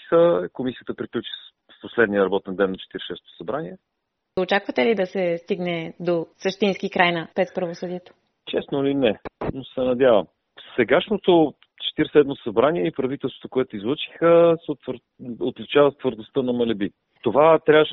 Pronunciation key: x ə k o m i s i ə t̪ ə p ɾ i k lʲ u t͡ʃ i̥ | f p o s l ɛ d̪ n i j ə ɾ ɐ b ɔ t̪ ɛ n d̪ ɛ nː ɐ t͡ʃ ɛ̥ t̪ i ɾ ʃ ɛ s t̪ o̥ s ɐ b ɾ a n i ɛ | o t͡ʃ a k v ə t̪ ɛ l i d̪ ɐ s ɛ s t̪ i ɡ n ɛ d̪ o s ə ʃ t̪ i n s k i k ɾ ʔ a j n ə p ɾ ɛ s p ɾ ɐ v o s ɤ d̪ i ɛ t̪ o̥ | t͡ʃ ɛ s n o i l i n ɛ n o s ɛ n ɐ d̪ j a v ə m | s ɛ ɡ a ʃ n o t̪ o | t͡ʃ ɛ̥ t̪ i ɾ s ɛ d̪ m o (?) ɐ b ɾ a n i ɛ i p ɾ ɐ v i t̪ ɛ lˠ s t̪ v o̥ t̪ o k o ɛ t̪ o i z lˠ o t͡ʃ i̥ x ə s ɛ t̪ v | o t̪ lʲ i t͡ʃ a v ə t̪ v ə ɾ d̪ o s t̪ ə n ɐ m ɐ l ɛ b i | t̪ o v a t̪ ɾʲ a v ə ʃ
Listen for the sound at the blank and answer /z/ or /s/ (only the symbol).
s